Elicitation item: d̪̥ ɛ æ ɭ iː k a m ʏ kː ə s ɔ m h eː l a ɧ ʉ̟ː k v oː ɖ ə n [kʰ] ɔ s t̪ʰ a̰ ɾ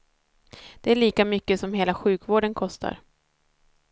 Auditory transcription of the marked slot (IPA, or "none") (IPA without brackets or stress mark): kʰ